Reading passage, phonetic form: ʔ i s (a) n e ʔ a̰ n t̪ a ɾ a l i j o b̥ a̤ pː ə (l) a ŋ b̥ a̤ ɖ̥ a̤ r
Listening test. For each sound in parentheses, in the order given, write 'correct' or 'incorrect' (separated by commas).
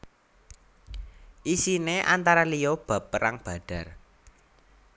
incorrect, incorrect